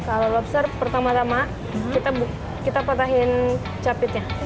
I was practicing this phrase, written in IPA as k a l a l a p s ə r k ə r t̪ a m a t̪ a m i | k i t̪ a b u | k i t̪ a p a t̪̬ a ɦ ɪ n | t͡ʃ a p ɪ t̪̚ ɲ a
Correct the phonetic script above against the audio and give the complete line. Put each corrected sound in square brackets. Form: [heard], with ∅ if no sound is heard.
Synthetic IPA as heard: k a l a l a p s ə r [p] ə r t̪ a m a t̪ a m [a] | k i t̪ a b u | k i t̪ a p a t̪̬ a ɦ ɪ n | t͡ʃ a p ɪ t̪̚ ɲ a